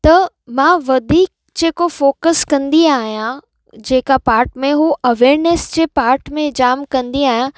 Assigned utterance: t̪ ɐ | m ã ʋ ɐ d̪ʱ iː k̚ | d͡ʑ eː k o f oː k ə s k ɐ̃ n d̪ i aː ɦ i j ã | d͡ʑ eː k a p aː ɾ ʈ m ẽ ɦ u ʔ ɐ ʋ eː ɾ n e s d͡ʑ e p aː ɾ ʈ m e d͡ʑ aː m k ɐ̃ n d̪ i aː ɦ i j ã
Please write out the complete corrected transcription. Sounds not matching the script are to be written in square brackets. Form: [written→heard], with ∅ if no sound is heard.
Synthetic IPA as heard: t̪ ɐ | m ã ʋ ɐ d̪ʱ iː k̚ | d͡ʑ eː k o f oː k ə s k ɐ̃ n d̪ i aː ɦ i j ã | d͡ʑ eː k a p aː ɾ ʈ m ẽ ɦ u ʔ ɐ ʋ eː ɾ n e s d͡ʑ e p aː ɾ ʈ m [e→ẽ] d͡ʑ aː m k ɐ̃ n d̪ i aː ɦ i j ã